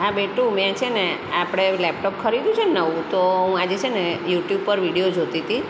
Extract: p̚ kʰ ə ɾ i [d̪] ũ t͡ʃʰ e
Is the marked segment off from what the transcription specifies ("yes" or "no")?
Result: no